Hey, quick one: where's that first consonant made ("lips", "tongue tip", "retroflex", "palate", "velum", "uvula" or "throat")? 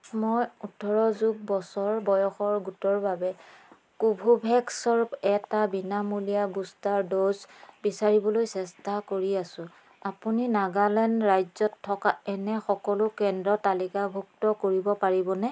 lips